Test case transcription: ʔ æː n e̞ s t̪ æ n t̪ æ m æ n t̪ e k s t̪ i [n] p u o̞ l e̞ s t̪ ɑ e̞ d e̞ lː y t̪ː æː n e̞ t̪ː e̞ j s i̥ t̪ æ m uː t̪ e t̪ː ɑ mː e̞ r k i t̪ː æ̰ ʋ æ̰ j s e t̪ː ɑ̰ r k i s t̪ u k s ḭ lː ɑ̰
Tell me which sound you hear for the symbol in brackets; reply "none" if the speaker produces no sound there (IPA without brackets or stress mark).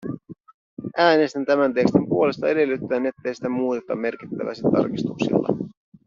m